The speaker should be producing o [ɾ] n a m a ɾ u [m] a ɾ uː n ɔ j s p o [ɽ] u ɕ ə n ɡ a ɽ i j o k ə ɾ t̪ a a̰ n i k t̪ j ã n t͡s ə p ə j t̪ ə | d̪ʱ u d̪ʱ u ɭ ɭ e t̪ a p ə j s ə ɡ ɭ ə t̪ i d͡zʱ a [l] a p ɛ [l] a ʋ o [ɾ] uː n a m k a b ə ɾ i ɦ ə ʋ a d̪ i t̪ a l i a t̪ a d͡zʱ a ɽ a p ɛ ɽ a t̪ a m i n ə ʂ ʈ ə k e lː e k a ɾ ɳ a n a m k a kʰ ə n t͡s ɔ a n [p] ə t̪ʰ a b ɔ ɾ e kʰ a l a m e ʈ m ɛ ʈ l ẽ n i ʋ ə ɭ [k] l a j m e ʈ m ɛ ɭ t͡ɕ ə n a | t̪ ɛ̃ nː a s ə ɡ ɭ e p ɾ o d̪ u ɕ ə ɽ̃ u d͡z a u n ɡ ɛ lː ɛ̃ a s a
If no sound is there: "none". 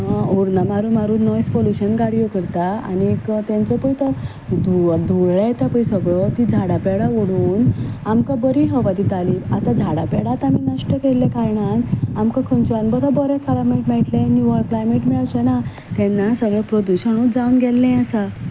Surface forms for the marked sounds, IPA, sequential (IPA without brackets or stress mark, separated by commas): ɾ, m, l, ɽ, ɽ, ɽ, b, k